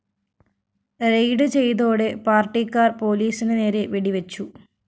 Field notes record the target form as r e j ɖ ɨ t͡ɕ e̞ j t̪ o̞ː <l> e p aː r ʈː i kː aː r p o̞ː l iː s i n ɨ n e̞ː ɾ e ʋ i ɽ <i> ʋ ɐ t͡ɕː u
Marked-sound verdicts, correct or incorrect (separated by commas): incorrect, correct